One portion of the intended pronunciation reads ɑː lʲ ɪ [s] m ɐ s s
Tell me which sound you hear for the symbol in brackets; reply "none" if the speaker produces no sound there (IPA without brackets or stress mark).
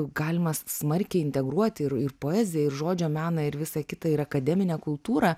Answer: none